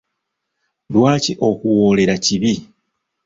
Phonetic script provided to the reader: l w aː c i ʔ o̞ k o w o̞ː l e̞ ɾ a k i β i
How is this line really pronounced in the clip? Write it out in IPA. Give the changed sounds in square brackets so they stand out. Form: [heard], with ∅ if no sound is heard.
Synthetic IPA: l w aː c i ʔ o̞ k [u] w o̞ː l e̞ ɾ a [c] i β i